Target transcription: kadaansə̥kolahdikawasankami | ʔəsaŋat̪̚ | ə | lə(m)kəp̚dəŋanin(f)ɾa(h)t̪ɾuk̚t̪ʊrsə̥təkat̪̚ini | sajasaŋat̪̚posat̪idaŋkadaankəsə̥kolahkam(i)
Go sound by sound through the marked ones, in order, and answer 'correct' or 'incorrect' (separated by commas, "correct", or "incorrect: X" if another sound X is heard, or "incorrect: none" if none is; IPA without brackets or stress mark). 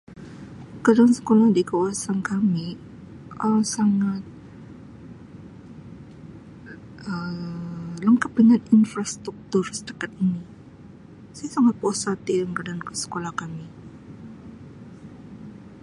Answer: incorrect: ŋ, correct, incorrect: s, correct